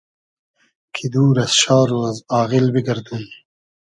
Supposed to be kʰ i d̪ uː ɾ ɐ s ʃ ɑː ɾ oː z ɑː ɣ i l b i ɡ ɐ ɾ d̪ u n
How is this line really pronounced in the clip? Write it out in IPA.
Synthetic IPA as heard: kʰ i d̪ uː ɾ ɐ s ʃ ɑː ɾ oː z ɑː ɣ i l b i ɡ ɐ ɾ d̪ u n